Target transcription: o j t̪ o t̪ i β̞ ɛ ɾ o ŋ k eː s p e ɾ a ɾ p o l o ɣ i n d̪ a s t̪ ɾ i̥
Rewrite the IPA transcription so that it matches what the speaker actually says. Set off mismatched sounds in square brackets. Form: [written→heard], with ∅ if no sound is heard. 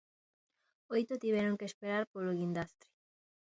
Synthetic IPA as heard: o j t̪ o t̪ i β̞ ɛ ɾ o ŋ k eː s p e ɾ a ɾ p o l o ɣ i n d̪ a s t̪ ɾ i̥